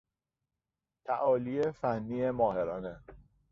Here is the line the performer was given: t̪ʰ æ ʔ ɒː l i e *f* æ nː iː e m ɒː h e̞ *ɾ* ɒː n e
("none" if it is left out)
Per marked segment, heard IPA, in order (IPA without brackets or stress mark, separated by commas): f, ɾ